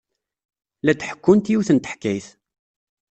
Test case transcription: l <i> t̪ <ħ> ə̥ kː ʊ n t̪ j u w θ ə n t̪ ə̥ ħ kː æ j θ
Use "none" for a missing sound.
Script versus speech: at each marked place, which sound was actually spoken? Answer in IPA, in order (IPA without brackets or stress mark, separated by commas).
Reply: æ, ħ